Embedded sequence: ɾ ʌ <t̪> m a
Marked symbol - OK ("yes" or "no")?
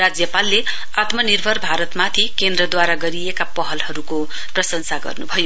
yes